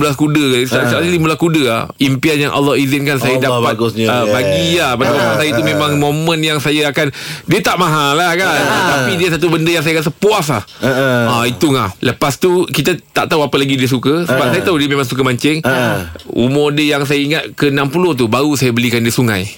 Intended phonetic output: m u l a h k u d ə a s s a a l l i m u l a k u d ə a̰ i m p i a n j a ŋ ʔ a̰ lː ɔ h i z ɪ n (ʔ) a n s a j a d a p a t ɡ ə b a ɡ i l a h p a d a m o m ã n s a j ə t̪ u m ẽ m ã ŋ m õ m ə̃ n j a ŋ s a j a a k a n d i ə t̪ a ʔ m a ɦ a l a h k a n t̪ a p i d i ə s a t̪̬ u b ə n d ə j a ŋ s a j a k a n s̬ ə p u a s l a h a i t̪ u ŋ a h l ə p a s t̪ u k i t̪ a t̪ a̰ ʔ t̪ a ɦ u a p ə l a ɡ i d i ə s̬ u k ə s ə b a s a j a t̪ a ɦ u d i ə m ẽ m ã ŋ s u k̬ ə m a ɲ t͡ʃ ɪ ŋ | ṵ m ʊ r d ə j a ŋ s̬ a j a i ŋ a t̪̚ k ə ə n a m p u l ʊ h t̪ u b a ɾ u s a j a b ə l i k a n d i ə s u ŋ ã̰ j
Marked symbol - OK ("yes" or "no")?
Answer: no